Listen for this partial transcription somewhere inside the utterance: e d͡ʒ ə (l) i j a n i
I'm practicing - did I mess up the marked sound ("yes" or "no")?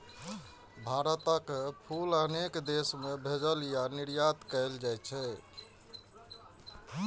no